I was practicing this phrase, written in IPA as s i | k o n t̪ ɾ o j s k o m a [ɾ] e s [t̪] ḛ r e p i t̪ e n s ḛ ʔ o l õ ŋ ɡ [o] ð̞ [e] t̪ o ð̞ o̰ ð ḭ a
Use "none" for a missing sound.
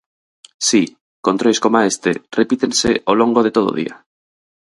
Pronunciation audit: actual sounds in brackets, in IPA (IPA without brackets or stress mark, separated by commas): none, t̪, o, e